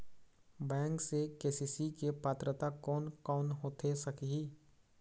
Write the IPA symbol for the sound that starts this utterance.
b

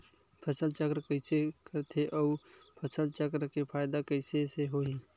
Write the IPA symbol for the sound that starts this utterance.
pʰ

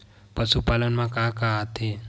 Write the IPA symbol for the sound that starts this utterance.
p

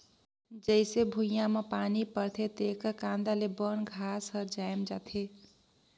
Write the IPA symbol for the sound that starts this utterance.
d͡ʒ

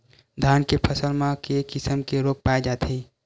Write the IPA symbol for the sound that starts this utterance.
d̪ʱ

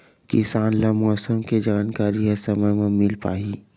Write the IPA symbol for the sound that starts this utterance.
k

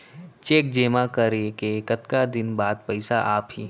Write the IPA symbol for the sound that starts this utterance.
t͡ʃ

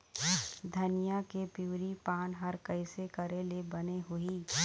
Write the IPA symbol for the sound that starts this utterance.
d̪ʱ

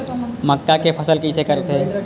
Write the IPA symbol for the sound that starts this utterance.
m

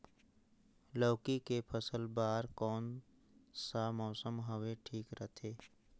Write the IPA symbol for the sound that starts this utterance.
l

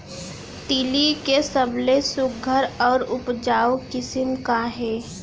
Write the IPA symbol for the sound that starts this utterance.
t̪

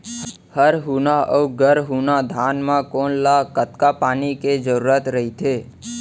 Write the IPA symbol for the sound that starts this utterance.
h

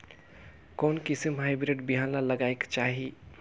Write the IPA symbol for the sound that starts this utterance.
k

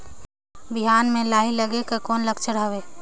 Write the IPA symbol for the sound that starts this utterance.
b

